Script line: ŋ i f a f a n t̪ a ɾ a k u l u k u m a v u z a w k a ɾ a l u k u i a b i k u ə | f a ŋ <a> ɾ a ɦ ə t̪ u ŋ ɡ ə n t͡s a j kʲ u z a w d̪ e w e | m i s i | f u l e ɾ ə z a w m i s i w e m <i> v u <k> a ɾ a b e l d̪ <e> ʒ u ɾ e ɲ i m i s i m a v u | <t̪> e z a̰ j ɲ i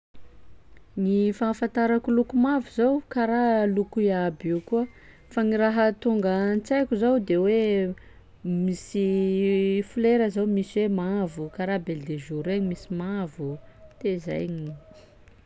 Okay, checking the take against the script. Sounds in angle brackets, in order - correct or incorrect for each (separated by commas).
incorrect, incorrect, correct, correct, correct